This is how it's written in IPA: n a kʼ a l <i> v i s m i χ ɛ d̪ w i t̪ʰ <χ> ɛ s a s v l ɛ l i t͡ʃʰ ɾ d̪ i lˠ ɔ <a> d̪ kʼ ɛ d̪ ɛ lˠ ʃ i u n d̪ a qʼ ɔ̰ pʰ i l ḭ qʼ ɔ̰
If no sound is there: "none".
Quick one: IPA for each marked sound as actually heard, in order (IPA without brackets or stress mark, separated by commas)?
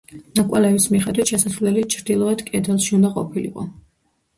ɛ, ʃ, ɛ